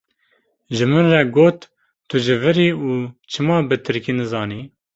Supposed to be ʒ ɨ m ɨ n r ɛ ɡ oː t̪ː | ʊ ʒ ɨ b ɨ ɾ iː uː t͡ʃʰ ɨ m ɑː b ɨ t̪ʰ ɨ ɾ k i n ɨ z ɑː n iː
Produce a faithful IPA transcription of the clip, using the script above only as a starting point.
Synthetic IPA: ʒ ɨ m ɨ n r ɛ ɡ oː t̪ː | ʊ ʒ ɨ v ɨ ɾ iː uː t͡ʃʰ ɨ m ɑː b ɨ t̪ʰ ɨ ɾ k i n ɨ z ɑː n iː